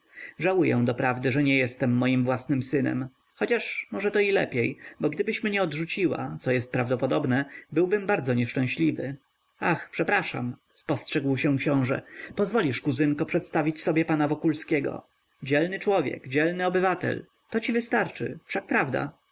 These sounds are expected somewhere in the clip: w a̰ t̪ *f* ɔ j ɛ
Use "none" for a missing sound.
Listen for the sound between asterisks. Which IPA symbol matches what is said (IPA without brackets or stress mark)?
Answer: s